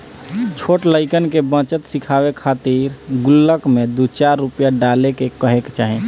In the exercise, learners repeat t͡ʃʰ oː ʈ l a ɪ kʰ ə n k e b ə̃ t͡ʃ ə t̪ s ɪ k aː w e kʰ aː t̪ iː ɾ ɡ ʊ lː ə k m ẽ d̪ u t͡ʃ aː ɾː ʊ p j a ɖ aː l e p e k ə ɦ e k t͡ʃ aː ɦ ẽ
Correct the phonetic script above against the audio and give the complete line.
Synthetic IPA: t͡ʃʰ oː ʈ l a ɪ k ə n k e b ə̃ t͡ʃ ə t̪ s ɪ kʰ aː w e kʰ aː t̪ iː ɾ ɡ ʊ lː ə k m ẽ d̪ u t͡ʃ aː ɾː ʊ p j a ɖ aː l e k e k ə ɦ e k t͡ʃ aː ɦ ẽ